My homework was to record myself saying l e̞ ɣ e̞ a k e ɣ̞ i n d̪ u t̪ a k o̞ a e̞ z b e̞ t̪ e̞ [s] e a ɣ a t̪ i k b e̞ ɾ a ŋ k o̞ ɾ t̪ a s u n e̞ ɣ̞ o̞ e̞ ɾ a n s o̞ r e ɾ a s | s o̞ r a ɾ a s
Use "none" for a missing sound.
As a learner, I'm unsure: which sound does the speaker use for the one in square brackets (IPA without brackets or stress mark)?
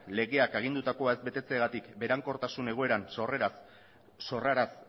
t͡s